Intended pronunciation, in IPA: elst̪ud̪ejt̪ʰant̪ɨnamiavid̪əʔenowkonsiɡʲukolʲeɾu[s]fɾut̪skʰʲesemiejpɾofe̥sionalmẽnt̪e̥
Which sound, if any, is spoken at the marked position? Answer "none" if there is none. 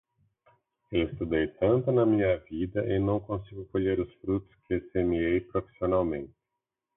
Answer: s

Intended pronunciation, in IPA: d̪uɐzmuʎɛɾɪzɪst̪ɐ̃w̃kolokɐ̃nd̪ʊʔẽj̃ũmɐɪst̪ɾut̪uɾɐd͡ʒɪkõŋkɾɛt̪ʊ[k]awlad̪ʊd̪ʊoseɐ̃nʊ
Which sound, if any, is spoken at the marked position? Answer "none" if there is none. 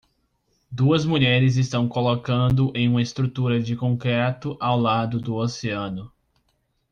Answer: ʔ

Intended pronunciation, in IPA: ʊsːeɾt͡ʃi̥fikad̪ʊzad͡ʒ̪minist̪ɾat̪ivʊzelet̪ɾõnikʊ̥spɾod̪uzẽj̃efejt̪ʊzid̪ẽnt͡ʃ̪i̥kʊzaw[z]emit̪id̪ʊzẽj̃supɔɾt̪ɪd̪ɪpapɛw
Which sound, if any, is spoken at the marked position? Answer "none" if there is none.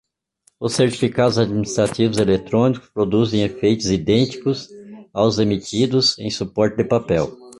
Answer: z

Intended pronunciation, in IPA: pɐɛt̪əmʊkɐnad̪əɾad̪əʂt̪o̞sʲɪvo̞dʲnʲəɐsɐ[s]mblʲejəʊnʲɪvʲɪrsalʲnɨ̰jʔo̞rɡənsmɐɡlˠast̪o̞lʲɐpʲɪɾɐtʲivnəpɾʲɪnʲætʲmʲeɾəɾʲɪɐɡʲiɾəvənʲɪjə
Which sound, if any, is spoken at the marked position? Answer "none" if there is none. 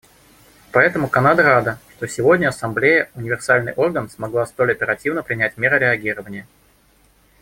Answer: none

